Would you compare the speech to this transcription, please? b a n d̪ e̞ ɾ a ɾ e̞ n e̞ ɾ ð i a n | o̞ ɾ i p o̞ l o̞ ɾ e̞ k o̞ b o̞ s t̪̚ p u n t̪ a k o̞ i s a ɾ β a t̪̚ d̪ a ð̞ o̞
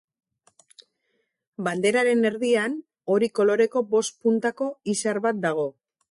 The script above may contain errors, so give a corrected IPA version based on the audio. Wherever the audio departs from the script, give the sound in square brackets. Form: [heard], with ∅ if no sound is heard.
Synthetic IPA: b a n d̪ e̞ ɾ a ɾ e̞ n e̞ ɾ ð i a n | o̞ ɾ i [k] o̞ l o̞ ɾ e̞ k o̞ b o̞ s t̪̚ p u n t̪ a k o̞ i s a ɾ β a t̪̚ d̪ a [ɣ̞] o̞